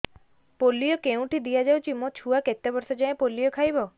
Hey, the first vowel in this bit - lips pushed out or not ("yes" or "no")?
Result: yes